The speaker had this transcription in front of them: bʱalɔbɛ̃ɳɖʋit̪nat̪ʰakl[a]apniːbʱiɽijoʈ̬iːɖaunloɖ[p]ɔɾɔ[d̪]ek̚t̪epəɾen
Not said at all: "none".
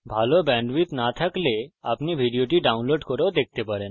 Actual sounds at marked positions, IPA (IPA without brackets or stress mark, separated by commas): e, k, d̪